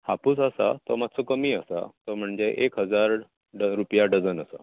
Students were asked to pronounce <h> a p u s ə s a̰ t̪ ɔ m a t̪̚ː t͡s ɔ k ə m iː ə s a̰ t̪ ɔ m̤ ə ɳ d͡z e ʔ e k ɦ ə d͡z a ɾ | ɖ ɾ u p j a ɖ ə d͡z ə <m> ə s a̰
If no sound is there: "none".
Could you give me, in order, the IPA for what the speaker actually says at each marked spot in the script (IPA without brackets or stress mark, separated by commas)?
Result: h, n